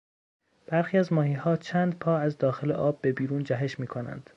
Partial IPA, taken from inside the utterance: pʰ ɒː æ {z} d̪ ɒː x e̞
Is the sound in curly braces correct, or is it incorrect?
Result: correct